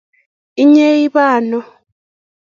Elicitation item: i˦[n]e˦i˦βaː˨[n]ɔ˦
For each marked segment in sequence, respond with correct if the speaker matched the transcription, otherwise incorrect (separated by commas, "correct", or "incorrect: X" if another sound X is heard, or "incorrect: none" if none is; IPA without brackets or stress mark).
incorrect: ɲ, correct